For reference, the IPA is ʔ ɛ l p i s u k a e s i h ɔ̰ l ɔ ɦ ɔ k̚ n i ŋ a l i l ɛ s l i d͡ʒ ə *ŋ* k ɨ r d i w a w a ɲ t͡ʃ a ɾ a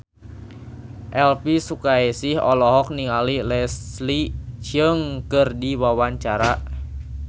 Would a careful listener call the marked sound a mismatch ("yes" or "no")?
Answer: no